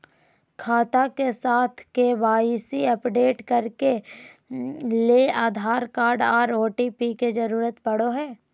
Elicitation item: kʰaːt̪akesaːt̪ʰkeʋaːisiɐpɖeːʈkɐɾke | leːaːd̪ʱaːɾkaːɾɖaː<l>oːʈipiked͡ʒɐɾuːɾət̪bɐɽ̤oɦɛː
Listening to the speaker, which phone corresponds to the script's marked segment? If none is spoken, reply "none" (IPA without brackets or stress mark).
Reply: ɾ